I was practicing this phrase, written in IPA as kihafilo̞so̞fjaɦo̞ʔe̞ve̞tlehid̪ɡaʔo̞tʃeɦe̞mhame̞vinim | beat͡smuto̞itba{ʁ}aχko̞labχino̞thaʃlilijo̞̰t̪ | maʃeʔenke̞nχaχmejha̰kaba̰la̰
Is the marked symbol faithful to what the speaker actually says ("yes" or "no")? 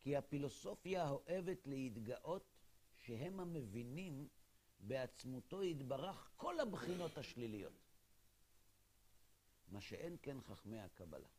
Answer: yes